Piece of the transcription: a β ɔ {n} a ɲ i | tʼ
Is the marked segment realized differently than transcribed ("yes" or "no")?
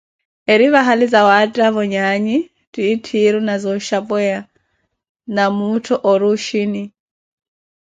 yes